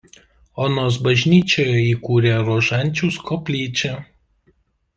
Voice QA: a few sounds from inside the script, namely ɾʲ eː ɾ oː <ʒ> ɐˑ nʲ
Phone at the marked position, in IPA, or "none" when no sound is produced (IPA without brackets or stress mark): ʒ